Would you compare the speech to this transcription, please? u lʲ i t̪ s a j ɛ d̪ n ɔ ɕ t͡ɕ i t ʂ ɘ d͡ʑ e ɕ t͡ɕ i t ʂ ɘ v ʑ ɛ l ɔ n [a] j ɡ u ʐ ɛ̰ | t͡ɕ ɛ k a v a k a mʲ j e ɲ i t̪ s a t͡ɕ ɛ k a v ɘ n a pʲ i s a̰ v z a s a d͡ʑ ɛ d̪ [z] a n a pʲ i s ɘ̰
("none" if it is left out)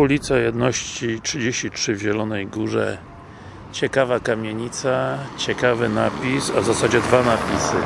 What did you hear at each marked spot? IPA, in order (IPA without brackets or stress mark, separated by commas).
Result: ɛ, v